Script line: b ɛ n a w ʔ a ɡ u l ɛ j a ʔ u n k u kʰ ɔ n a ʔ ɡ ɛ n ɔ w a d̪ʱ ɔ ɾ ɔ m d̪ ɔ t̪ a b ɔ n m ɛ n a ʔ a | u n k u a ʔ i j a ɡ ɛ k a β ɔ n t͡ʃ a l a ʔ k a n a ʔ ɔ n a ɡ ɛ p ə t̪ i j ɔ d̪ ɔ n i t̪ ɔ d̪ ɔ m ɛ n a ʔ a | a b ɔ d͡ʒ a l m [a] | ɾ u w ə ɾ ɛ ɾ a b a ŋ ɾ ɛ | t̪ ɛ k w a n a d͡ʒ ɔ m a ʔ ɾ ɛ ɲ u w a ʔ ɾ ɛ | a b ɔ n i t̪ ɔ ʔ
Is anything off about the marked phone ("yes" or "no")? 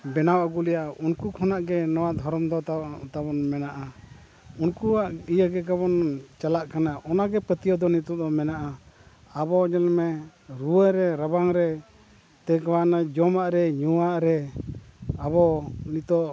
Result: yes